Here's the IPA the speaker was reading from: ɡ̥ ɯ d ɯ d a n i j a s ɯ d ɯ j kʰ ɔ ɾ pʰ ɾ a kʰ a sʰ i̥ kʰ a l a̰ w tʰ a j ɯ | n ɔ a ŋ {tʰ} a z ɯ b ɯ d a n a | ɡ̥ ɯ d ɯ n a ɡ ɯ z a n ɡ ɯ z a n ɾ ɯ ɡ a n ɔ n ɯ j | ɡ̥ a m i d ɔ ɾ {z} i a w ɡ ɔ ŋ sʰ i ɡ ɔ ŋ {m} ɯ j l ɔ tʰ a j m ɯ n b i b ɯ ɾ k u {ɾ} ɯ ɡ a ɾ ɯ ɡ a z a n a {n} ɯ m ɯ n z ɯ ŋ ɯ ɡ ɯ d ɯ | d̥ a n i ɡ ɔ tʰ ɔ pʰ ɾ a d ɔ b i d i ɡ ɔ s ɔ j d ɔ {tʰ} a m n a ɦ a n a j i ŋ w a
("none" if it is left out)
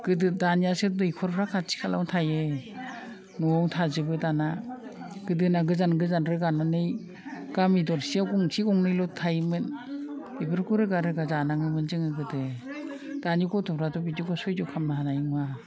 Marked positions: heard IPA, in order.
tʰ, s, n, ɾ, ŋ, kʰ

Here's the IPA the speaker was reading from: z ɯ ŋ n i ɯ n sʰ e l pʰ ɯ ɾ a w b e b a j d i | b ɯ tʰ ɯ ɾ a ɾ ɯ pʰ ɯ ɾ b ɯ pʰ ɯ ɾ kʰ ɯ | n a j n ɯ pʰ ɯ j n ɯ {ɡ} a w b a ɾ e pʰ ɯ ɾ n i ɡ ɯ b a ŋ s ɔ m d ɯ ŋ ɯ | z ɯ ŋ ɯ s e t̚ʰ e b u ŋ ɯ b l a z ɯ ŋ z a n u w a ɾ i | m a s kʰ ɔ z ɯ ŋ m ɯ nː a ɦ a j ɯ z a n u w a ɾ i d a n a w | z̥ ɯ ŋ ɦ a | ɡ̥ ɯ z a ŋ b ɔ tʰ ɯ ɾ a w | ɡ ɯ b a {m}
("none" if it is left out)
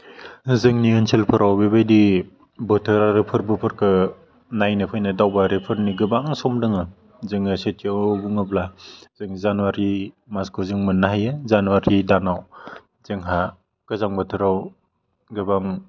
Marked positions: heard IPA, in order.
d, ŋ

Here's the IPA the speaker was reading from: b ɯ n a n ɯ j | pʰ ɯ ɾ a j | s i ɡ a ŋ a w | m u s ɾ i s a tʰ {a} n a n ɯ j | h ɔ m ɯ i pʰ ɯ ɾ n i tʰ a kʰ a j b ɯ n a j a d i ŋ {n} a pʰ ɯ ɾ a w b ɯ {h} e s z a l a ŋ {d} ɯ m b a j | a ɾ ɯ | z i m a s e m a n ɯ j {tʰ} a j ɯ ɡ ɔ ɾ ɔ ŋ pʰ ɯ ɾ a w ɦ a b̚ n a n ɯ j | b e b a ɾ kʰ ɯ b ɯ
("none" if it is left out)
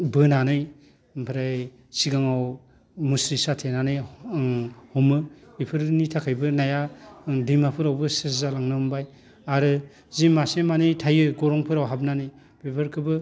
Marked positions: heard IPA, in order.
e, m, s, n, tʰ

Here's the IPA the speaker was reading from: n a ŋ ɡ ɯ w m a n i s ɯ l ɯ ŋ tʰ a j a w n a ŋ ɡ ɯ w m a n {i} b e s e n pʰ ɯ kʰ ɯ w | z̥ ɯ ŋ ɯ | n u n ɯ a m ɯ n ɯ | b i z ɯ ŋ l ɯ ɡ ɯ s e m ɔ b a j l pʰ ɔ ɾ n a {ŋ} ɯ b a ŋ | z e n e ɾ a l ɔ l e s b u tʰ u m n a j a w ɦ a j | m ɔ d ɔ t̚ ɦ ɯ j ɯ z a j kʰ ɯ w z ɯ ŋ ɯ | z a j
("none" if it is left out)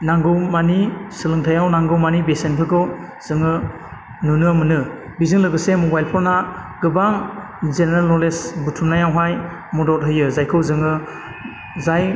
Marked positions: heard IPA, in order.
i, ɡ

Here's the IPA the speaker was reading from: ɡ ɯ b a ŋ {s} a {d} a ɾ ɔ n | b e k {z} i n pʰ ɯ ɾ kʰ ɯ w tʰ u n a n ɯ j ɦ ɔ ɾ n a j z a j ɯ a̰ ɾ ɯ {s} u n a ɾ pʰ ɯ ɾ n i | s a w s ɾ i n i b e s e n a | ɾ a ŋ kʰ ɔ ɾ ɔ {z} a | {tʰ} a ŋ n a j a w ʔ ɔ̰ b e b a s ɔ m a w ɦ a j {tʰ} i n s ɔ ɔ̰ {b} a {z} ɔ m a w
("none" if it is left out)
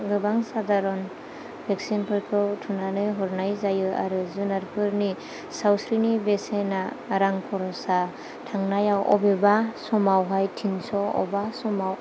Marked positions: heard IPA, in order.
s, d, s, z, s, tʰ, tʰ, b, s

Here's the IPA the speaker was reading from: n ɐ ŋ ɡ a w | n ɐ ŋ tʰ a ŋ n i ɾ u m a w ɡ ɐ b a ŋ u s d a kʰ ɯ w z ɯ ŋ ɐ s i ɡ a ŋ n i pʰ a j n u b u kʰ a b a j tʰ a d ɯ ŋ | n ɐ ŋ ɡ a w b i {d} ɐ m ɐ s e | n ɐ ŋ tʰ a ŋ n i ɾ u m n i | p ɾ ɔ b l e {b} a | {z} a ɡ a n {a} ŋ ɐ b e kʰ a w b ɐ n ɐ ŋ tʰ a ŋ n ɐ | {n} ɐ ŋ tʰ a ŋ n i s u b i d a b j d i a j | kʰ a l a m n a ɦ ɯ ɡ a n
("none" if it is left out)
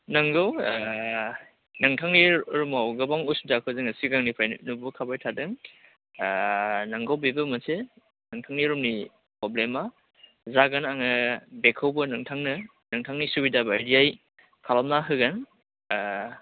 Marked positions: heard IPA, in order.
b, m, z, a, n

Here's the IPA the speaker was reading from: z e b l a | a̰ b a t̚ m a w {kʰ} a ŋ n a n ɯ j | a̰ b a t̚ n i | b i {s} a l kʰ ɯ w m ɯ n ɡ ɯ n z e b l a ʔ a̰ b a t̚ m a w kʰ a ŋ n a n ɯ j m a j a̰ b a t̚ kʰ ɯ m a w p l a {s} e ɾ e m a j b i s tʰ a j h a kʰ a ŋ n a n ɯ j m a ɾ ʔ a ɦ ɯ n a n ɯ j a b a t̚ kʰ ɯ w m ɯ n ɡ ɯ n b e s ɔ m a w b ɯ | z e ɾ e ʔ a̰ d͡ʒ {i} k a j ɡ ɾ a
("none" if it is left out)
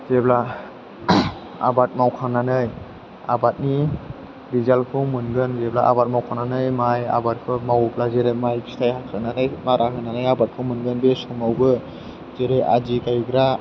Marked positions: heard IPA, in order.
kʰ, z, z, i

